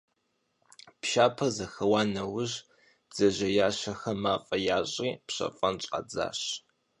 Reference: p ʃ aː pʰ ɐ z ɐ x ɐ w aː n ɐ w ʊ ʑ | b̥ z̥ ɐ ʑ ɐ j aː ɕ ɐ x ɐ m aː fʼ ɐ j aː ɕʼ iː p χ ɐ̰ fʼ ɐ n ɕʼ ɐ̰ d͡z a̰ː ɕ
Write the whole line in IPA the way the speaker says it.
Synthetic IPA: p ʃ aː pʰ ɐ z ɐ x ɐ w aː n ɐ w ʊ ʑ | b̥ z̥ ɐ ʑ ɐ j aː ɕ ɐ x ɐ m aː fʼ ɐ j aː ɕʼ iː p ɕ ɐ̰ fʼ ɐ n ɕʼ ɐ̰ d͡z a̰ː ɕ